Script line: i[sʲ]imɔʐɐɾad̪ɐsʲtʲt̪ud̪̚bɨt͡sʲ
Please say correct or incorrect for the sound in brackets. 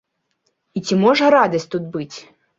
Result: incorrect